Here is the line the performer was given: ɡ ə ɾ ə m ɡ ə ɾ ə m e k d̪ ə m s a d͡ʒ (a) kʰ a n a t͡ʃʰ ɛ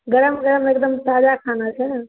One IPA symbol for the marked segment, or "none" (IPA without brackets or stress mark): a